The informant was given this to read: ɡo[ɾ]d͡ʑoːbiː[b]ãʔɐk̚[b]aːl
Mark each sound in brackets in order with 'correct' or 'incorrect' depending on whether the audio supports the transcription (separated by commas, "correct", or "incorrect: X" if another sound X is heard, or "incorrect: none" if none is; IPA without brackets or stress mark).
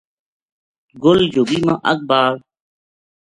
incorrect: l, incorrect: m, correct